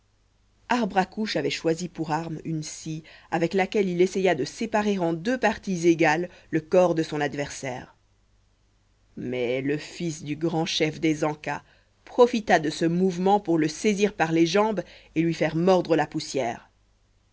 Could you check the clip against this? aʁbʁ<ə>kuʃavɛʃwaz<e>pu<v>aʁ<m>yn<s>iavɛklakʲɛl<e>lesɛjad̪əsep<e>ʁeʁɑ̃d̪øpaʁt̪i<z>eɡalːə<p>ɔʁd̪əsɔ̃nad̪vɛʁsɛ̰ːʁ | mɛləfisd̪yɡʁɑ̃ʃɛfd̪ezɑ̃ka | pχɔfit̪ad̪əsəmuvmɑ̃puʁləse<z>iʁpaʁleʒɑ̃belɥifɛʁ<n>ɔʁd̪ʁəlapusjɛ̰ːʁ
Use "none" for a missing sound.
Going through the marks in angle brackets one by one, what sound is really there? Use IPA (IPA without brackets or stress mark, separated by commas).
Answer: a, i, ʁ, m, s, i, a, z, k, z, m